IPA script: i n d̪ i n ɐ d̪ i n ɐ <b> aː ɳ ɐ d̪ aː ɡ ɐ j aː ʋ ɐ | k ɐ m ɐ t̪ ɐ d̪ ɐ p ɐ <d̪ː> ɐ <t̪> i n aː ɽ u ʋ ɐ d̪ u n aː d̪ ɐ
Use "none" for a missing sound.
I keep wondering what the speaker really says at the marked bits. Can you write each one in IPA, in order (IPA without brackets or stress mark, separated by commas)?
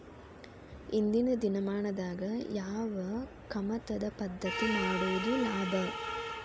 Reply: m, d̪ː, t̪